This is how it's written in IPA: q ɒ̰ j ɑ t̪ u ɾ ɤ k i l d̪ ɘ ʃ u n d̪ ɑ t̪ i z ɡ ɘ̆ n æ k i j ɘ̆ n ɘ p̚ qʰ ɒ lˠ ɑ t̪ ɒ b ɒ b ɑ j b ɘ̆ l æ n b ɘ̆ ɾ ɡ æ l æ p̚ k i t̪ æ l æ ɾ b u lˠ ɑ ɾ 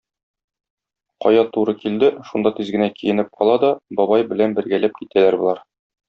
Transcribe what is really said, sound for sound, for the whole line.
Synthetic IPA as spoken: q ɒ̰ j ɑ t̪ u ɾ ɤ k i l d̪ ɘ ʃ u n d̪ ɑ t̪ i z ɡ ɘ̆ n æ k i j ɘ̆ n ɘ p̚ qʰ ɒ lˠ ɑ d̪ ɒ b ɒ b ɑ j b ɘ̆ l æ n b ɘ̆ ɾ ɡ æ l æ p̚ k i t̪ æ l æ ɾ b u lˠ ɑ ɾ